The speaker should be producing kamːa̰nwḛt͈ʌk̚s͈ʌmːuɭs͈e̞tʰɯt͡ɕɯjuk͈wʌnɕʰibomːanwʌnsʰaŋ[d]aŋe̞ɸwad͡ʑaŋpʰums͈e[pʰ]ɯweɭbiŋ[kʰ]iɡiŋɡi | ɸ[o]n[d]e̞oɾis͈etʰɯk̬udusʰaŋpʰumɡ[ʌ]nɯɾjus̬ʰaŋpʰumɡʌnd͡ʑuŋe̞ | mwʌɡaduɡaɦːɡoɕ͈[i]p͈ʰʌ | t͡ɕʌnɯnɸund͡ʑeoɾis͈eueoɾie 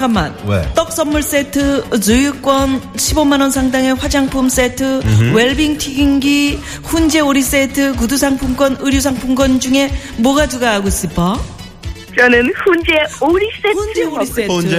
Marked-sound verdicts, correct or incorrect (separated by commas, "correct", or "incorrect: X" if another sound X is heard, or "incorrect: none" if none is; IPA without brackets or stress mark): correct, incorrect: tʰ, incorrect: tʰ, incorrect: u, incorrect: d͡ʑ, correct, correct